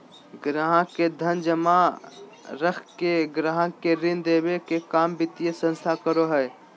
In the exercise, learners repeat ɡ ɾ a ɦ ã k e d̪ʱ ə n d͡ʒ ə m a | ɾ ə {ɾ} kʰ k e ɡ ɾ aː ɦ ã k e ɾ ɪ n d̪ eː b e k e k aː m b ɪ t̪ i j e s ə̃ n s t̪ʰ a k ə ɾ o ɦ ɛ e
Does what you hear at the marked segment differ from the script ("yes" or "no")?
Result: yes